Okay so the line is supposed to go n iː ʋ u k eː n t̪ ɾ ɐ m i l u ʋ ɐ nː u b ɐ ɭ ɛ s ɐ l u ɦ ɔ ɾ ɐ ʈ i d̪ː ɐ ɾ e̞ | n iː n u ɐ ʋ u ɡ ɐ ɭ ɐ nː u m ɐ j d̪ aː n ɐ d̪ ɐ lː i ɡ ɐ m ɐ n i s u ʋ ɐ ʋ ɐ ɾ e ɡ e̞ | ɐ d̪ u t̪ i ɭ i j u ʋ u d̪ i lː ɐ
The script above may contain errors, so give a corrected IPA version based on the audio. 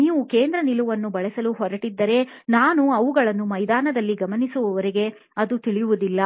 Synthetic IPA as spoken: n iː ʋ u k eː n d̪ ɾ ɐ n i l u ʋ ɐ nː u b ɐ ɭ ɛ s ɐ l u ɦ ɔ ɾ ɐ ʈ i d̪ː ɐ ɾ e̞ | n aː n u ɐ ʋ u ɡ ɐ ɭ ɐ nː u m ɐ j d̪ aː n ɐ d̪ ɐ lː i ɡ ɐ m ɐ n i s u ʋ ɐ ʋ ɐ ɾ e ɡ e̞ | ɐ d̪ u t̪ i ɭ i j u ʋ u d̪ i lː ɐ